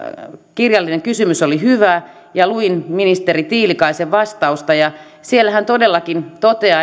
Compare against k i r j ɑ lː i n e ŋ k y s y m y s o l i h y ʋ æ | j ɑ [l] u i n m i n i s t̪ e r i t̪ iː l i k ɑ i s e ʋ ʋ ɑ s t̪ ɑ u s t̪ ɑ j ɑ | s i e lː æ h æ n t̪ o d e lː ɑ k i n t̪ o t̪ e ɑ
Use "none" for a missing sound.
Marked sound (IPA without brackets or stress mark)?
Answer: l